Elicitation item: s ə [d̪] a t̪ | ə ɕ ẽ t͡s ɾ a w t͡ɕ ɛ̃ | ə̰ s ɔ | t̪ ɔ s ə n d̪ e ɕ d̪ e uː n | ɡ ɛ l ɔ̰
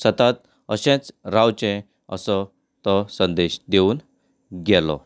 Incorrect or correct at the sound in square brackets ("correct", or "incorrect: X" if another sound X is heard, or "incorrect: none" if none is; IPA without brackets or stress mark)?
incorrect: t̪